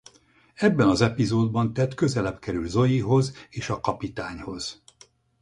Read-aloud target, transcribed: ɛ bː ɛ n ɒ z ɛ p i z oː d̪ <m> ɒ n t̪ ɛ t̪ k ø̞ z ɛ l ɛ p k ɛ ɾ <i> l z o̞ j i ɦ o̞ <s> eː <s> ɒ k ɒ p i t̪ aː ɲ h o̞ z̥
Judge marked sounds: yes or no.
no, no, no, no

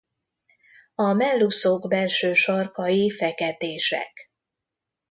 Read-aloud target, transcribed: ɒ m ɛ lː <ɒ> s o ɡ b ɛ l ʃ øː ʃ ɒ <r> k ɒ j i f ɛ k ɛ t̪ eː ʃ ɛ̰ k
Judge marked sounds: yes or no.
no, yes

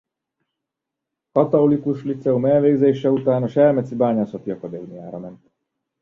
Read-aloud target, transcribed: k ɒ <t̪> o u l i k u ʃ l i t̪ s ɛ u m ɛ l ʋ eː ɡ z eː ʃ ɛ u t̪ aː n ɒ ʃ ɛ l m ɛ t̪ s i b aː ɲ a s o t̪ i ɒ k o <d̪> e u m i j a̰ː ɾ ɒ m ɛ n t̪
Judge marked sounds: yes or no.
yes, yes

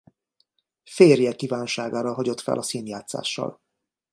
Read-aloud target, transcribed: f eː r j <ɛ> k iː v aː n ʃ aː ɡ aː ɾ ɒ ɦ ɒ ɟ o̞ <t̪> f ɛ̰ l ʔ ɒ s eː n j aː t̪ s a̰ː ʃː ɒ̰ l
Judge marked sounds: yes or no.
yes, yes

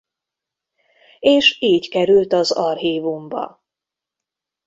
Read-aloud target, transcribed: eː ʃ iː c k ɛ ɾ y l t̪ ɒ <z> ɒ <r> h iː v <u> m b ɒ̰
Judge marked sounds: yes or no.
yes, yes, yes

